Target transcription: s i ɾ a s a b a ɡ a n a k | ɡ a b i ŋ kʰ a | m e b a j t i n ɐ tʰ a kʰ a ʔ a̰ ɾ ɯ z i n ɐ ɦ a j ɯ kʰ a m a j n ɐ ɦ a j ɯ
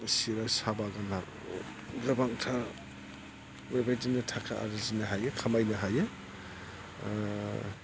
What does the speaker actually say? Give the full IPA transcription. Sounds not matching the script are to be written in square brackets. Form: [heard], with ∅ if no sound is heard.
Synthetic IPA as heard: s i ɾ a s a b a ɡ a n a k | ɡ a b [a] ŋ [tʰ] a | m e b a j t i n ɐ tʰ a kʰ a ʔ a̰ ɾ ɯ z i n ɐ ɦ a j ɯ kʰ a m a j n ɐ ɦ a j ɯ